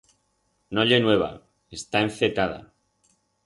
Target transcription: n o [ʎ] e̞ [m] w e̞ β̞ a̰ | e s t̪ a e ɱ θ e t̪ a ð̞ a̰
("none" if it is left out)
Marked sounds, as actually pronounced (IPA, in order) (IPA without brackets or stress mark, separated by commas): ʎ, n